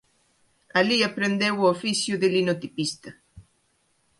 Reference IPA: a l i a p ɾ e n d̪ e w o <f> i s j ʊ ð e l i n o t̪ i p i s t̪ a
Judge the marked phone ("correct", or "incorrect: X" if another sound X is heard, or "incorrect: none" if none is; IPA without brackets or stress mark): correct